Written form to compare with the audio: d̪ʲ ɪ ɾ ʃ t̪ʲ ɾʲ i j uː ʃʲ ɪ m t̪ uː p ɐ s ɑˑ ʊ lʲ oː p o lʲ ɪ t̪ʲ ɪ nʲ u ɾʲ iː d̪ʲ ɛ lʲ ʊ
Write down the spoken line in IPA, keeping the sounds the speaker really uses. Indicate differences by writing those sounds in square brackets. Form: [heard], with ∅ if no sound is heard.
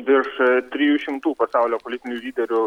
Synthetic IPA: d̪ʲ ɪ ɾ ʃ t̪ʲ ɾʲ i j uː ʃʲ ɪ m t̪ uː p ɐ s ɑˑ ʊ lʲ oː p o lʲ ɪ t̪ʲ ɪ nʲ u [lʲ] iː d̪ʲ ɛ [ɾʲ] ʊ